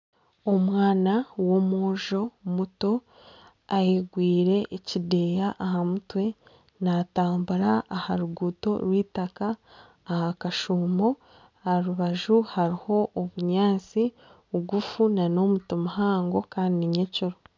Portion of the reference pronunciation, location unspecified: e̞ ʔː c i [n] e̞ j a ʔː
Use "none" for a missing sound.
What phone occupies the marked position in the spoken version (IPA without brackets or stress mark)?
d